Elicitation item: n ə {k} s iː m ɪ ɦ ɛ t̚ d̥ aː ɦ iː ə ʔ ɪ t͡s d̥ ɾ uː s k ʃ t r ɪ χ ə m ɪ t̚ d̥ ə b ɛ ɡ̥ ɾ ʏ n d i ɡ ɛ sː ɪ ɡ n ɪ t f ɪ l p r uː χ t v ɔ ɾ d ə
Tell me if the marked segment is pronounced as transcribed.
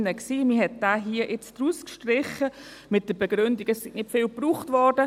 yes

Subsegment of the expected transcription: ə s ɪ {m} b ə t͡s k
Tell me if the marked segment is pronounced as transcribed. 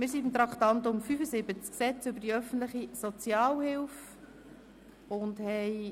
no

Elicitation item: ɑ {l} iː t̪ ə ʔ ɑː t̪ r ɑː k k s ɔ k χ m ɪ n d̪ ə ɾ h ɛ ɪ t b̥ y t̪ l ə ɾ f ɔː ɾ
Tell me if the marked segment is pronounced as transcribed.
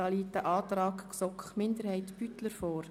yes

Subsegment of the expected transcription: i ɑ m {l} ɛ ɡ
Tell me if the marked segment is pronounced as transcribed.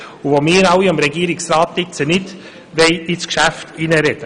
no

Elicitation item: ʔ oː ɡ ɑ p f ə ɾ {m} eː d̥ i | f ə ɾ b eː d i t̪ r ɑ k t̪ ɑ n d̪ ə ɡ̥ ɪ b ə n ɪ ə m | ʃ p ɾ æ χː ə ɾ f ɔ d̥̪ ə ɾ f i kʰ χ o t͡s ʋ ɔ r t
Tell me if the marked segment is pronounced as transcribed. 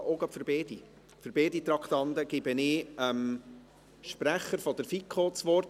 no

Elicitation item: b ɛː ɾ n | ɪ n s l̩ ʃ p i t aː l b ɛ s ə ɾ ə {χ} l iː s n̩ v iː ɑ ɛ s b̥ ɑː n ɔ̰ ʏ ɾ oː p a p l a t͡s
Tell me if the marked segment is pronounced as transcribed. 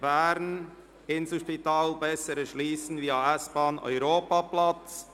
no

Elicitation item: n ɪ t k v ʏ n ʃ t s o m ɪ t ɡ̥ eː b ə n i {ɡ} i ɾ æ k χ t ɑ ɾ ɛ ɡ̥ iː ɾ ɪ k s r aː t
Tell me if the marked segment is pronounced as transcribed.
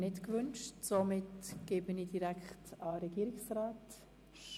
no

